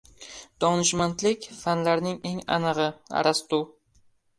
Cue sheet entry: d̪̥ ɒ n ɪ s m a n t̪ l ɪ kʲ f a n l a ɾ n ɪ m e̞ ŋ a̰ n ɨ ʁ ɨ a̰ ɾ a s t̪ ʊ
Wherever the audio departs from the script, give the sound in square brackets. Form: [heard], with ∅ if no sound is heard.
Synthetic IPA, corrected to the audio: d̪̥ ɒ n ɪ [ʃ] m a n t̪ l ɪ kʲ f a n l a ɾ n ɪ [ŋ] e̞ ŋ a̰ n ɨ ʁ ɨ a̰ ɾ a s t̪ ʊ